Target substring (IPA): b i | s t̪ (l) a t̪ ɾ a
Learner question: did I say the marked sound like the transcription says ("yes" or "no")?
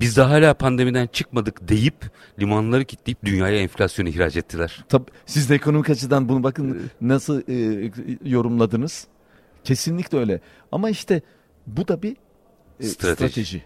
no